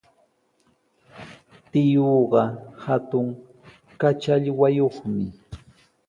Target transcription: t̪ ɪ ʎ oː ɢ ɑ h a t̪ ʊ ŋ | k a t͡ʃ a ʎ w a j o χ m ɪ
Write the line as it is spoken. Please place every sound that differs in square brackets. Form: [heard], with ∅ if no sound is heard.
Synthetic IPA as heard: t̪ ɪ [j] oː ɢ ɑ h a t̪ ʊ ŋ | k a t͡ʃ a ʎ w a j o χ m ɪ